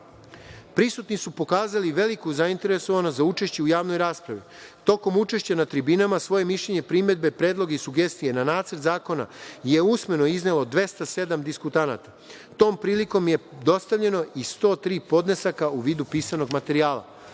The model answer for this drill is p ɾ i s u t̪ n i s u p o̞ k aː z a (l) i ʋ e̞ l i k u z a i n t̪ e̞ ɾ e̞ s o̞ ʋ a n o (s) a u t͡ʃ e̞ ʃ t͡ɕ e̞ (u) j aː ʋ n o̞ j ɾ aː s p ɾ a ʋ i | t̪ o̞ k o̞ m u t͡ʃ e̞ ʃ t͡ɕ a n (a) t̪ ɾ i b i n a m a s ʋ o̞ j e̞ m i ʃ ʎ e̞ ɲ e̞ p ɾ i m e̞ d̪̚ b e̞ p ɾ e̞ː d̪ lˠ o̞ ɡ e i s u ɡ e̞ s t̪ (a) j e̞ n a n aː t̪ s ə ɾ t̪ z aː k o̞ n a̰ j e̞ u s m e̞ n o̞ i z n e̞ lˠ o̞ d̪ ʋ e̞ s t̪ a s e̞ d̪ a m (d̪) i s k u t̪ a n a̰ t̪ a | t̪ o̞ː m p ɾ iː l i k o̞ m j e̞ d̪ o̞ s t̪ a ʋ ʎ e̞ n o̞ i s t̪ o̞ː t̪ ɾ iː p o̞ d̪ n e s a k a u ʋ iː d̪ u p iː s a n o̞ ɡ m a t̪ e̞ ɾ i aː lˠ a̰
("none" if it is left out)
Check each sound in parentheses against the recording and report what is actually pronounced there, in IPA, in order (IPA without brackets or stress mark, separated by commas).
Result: l, z, u, a, i, d̪